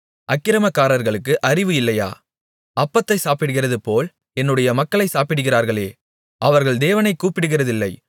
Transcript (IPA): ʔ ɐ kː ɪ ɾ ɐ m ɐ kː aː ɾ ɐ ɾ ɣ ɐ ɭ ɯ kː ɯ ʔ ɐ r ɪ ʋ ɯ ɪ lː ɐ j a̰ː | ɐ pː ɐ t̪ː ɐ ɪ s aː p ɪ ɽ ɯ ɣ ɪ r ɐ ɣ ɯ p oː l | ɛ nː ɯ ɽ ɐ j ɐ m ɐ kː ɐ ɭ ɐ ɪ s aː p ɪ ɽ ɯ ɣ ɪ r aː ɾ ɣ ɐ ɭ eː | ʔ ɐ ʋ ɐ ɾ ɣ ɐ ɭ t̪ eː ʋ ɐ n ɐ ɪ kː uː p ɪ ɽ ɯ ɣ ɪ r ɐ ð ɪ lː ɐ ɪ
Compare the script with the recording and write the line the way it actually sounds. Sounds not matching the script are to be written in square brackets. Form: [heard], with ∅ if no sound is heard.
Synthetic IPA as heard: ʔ ɐ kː ɪ ɾ ɐ m ɐ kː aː ɾ ɐ ɾ ɣ ɐ ɭ ɯ kː ɯ ʔ ɐ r ɪ ʋ ɯ ɪ lː ɐ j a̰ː | ɐ pː ɐ t̪ː ɐ ɪ s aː p ɪ ɽ ɯ ɣ ɪ r ɐ [ð] ɯ p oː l | ɛ nː ɯ ɽ ɐ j ɐ m ɐ kː ɐ ɭ ɐ ɪ s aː p ɪ ɽ ɯ ɣ ɪ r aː ɾ ɣ ɐ ɭ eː | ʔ ɐ ʋ ɐ ɾ ɣ ɐ ɭ [d̪] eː ʋ ɐ n ɐ ɪ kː uː p ɪ ɽ ɯ ɣ ɪ r ɐ ð ɪ lː ɐ ɪ